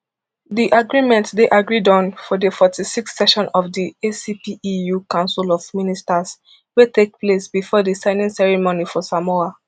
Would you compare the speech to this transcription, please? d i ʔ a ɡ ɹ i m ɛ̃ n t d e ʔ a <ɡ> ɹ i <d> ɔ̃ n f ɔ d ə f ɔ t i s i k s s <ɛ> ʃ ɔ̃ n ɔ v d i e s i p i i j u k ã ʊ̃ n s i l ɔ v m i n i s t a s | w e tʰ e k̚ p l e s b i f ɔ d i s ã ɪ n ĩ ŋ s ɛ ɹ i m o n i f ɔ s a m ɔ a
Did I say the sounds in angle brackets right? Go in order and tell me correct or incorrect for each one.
correct, correct, correct

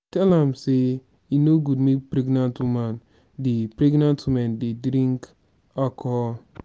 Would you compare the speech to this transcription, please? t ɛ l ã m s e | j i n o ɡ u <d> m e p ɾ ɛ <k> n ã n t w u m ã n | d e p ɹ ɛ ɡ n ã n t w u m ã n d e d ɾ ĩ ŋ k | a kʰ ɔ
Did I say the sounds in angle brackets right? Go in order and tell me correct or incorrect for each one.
correct, incorrect

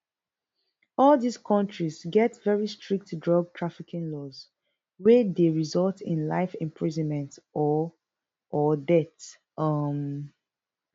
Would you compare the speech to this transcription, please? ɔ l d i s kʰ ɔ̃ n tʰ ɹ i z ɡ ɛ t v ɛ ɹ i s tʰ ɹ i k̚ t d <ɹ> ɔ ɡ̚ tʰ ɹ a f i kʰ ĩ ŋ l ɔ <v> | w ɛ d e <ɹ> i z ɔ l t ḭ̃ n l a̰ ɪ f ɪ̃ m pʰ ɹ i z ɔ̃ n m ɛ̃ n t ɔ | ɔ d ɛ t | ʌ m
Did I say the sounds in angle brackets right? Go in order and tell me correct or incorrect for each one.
correct, incorrect, correct

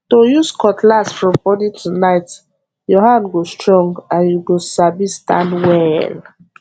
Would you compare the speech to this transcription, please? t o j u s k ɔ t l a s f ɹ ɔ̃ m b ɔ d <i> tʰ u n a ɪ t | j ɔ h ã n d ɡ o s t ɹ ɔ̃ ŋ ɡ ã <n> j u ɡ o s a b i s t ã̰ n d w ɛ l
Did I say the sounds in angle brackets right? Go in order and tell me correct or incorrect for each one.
correct, correct

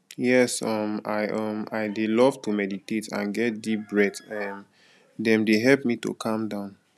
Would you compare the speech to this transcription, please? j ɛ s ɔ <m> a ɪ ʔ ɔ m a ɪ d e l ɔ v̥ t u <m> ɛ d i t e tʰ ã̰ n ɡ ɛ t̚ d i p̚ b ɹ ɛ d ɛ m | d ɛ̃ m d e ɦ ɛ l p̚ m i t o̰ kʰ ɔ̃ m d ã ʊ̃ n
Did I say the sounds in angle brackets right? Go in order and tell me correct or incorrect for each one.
correct, correct

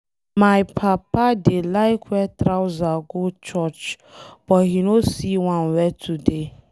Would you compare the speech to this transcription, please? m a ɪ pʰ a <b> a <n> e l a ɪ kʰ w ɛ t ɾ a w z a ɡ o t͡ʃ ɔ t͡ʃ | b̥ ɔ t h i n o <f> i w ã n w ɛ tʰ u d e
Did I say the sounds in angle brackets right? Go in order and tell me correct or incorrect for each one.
incorrect, incorrect, incorrect

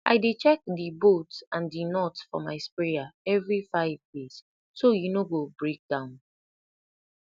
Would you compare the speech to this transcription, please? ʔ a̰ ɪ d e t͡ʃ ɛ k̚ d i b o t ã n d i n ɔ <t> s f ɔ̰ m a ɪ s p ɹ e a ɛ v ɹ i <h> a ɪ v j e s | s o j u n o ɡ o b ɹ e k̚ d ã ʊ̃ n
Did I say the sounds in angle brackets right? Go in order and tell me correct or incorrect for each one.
correct, incorrect

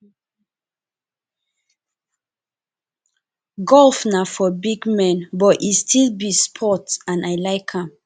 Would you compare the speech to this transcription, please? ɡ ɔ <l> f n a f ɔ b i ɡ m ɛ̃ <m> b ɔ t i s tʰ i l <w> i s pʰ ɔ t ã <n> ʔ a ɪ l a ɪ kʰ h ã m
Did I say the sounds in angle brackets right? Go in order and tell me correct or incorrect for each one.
correct, incorrect, incorrect, correct

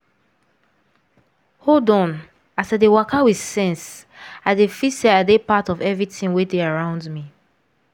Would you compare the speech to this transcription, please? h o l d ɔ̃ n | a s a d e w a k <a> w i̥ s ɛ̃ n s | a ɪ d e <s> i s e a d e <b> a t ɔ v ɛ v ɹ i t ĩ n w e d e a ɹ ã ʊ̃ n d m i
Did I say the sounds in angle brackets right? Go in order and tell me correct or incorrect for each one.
correct, incorrect, incorrect

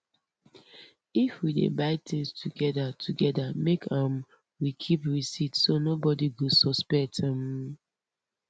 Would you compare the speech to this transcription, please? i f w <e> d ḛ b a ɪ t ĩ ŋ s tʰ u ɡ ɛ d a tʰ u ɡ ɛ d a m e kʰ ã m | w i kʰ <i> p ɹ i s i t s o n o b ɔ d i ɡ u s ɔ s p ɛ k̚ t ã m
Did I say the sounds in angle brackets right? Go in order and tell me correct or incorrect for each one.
incorrect, correct

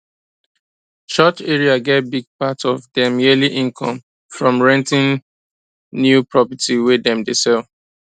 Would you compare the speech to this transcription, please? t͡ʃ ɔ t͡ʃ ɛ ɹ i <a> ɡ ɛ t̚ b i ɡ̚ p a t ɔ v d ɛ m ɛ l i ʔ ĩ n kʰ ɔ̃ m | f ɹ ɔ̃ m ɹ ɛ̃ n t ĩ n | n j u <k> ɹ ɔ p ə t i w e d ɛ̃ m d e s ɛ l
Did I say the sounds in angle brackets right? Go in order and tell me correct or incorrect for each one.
correct, incorrect

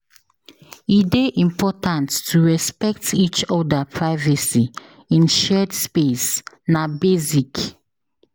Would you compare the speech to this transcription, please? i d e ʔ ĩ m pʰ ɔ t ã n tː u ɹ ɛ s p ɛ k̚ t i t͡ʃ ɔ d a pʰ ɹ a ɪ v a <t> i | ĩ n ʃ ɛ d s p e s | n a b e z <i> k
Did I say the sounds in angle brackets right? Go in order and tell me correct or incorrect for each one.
incorrect, correct

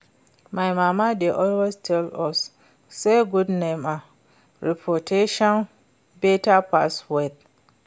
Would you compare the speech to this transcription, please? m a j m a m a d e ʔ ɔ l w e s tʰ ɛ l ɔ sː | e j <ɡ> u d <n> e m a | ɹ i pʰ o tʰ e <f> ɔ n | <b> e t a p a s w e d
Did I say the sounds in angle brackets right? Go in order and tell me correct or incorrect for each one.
correct, correct, incorrect, correct

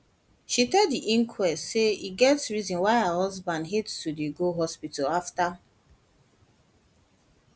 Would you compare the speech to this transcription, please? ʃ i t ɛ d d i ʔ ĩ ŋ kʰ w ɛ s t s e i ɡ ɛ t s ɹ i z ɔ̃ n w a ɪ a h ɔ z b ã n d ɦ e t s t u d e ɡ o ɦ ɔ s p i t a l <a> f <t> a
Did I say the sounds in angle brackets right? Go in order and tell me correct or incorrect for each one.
correct, correct

